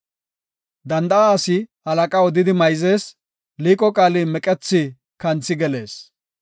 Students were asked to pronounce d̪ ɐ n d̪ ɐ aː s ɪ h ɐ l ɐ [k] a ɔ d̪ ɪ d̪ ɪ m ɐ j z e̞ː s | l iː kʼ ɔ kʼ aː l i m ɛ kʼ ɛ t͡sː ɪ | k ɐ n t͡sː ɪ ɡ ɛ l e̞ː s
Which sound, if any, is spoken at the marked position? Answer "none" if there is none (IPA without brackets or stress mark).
kʼ